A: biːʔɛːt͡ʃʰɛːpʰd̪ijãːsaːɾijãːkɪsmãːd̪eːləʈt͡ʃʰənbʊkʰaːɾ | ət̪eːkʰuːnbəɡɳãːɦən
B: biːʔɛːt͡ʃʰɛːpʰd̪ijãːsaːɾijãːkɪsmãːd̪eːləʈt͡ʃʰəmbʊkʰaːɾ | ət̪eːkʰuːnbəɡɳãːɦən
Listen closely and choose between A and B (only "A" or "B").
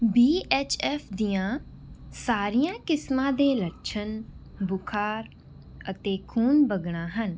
A